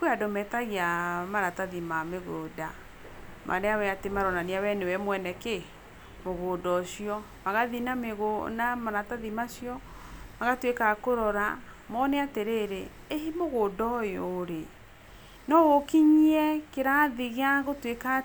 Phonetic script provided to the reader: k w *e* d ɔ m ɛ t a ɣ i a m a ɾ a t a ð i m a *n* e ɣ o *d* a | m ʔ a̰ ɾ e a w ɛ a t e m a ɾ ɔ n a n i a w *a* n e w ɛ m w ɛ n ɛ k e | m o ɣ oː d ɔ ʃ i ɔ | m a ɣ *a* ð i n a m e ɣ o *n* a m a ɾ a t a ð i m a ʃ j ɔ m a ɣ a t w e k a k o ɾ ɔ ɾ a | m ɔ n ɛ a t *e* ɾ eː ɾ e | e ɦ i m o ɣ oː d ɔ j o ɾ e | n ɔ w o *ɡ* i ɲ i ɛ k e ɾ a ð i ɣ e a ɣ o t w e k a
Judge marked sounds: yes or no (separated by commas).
no, no, yes, no, yes, yes, yes, no